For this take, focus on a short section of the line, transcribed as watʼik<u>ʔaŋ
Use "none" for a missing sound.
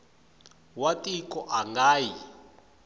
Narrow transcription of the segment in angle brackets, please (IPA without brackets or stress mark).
ɔ